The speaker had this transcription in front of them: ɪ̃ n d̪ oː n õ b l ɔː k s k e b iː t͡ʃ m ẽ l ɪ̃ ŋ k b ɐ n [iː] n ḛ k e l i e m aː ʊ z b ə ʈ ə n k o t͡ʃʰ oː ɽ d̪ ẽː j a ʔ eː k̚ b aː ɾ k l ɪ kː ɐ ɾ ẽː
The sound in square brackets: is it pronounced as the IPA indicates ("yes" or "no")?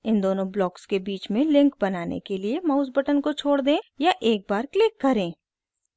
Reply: no